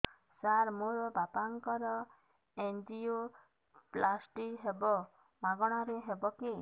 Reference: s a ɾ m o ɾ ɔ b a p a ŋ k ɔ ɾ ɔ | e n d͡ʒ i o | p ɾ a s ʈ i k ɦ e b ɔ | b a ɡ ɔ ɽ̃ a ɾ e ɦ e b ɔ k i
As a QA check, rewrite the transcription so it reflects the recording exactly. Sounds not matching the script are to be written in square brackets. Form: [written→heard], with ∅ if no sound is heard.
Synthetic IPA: s a ɾ m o ɾ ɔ b a p a ŋ k ɔ ɾ ɔ | e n d͡ʒ i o | p [ɾ→l] a s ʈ i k ɦ e b ɔ | [b→m] a ɡ ɔ ɽ̃ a ɾ e ɦ e b ɔ k i